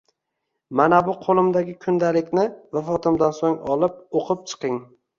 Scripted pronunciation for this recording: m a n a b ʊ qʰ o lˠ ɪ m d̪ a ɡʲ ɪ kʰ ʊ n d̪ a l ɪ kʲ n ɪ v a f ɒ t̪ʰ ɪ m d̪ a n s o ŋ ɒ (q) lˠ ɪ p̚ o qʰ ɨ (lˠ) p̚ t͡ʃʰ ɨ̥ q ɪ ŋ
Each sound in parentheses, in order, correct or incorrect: incorrect, incorrect

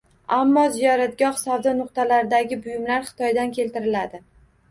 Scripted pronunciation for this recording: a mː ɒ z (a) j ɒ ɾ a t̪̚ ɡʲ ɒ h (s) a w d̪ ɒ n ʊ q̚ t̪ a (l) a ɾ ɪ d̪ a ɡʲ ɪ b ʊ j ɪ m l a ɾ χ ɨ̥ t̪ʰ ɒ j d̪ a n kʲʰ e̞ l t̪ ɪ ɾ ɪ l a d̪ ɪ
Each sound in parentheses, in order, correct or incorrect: incorrect, correct, correct

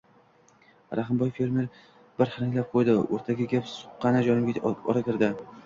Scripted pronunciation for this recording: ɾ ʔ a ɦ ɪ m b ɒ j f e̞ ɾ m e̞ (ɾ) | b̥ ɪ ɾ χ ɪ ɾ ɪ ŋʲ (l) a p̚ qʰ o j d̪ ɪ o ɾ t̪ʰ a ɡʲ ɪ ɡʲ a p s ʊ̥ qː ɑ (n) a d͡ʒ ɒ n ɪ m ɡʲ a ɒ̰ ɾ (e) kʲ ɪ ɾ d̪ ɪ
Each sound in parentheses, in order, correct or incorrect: correct, correct, correct, incorrect

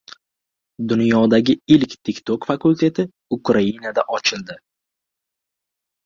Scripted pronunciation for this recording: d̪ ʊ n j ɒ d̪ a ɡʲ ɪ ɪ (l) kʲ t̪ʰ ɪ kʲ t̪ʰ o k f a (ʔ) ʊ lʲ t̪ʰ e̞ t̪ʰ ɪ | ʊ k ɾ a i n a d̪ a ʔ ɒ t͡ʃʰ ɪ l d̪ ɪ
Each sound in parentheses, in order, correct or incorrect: correct, incorrect

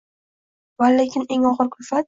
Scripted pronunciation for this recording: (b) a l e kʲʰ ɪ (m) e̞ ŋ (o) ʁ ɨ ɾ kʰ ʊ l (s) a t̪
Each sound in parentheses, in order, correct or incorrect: incorrect, incorrect, incorrect, incorrect

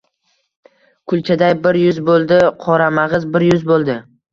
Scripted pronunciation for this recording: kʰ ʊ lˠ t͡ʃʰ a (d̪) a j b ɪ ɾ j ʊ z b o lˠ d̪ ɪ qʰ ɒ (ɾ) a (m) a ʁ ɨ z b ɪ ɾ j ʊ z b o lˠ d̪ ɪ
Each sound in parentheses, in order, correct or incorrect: correct, correct, correct

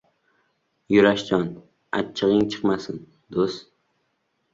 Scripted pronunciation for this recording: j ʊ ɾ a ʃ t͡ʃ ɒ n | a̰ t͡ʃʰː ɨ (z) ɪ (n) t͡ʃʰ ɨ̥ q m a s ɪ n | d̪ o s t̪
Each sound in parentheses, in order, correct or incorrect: incorrect, incorrect

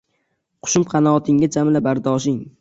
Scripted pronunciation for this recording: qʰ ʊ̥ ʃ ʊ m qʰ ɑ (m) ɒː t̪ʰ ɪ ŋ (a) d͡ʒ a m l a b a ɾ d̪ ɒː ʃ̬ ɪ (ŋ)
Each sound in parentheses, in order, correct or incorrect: incorrect, correct, correct

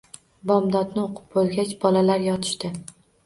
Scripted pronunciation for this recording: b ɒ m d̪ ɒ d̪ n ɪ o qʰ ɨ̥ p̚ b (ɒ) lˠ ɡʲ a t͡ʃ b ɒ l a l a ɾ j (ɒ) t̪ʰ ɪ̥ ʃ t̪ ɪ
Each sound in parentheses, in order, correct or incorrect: incorrect, correct

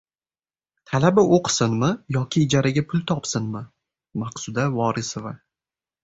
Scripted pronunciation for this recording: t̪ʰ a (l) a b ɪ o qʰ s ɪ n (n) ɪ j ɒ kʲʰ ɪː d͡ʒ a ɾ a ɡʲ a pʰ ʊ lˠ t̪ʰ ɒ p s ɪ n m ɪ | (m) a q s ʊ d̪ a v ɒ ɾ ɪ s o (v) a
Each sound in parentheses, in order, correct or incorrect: correct, incorrect, correct, correct

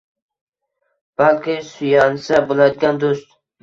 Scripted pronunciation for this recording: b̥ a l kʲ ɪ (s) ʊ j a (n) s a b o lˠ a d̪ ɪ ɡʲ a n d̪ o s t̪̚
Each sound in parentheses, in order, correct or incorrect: correct, correct

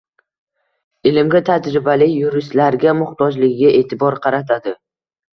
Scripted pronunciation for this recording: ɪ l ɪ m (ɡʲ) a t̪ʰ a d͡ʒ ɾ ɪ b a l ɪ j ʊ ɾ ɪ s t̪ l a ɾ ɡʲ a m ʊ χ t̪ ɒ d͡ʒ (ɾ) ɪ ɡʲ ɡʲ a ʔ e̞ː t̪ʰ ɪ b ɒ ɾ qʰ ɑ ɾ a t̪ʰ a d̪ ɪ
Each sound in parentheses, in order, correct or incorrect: correct, incorrect

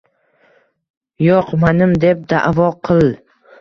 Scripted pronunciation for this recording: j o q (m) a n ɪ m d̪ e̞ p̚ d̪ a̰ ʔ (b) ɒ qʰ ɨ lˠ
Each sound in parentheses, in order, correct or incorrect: correct, incorrect

